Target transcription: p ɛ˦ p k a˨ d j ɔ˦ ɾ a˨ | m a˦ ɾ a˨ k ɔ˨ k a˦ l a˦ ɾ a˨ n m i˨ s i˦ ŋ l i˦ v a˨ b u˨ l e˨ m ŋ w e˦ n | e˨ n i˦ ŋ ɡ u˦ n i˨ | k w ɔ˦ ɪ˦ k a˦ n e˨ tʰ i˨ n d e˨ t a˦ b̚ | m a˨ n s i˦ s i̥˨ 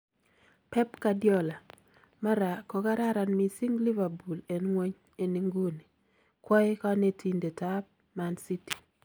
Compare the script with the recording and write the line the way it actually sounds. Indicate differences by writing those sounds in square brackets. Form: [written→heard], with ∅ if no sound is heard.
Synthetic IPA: p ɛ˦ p k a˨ d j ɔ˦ [ɾ→l] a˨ | m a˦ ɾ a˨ k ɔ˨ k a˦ [l→ɾ] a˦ ɾ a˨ n m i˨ s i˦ ŋ l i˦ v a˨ b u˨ l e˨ [m→n] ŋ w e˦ [n→ɲ] | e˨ n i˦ ŋ ɡ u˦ n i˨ | k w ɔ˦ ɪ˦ k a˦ n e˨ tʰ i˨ n d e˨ t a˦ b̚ | m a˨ n s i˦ [s→t] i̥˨